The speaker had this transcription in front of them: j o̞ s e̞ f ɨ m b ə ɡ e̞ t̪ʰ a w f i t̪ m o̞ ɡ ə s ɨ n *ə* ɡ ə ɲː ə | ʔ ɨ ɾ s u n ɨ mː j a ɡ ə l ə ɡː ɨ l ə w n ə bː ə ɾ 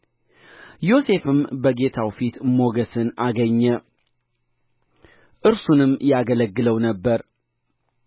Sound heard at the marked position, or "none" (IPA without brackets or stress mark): a